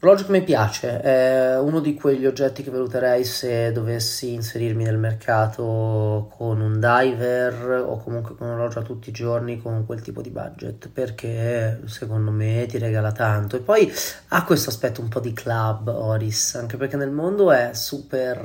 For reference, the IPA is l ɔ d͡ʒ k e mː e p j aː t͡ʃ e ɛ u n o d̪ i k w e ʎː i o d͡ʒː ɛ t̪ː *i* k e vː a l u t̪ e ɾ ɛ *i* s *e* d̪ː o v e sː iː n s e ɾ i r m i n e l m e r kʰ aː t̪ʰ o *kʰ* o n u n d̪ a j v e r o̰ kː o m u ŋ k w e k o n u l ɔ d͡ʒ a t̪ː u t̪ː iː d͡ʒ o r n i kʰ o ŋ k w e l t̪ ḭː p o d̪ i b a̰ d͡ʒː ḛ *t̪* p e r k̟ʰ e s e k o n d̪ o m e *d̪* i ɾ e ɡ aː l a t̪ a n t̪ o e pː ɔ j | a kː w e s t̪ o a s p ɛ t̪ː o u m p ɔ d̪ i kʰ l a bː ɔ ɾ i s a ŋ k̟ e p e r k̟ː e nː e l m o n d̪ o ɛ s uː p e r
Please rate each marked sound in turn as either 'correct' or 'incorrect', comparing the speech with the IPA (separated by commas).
correct, incorrect, correct, correct, correct, incorrect